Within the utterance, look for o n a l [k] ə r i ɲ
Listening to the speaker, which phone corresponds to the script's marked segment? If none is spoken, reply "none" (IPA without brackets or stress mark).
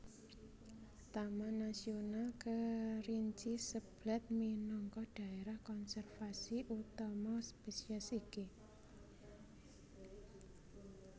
k